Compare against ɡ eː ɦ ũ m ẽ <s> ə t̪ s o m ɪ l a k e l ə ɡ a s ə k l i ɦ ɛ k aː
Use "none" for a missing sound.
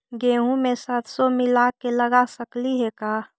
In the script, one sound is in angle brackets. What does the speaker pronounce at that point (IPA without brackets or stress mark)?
s